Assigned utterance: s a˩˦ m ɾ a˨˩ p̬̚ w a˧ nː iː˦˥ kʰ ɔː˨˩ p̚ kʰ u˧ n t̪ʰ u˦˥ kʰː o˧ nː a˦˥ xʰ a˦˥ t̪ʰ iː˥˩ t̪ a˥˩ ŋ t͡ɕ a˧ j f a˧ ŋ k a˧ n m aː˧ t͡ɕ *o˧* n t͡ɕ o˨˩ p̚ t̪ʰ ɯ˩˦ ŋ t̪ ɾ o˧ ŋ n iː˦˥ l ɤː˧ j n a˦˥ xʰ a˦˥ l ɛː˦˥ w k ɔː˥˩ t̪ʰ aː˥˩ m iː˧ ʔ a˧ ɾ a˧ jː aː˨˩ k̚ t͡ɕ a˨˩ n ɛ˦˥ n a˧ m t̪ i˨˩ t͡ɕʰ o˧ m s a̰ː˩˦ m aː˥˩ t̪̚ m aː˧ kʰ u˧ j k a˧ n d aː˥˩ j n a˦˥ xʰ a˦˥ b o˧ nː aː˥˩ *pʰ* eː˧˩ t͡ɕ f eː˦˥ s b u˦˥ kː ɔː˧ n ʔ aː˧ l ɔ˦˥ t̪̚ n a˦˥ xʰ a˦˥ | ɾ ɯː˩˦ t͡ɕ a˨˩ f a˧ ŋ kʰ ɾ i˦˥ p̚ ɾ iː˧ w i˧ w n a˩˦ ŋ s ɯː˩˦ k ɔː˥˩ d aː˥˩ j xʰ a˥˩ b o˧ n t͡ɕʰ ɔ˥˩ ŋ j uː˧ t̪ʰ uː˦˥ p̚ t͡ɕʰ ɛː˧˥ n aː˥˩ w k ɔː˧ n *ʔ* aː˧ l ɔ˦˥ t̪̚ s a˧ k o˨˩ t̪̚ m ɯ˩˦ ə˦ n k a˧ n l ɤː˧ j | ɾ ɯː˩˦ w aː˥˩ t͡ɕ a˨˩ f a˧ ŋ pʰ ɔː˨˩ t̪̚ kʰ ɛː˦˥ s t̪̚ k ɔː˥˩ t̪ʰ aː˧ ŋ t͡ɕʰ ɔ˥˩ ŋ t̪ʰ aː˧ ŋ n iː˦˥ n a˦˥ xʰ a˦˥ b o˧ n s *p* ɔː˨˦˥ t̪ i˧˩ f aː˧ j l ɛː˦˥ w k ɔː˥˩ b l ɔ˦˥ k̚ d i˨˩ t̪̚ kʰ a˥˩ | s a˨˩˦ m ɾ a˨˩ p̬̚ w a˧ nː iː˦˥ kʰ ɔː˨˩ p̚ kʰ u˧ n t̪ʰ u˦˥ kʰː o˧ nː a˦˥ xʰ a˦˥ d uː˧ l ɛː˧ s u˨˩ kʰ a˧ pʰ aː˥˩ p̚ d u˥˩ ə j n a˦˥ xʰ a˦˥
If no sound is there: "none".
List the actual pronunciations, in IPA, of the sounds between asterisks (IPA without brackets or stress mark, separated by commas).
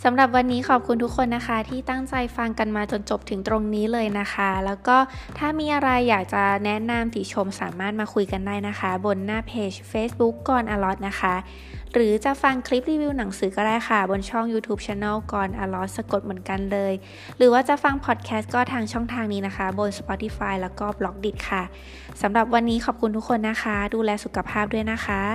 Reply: o˧, pʰ, ʔ, p